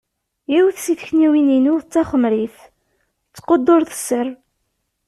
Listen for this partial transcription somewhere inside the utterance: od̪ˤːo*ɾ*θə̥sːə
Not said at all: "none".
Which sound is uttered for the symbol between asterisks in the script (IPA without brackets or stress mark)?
ɾ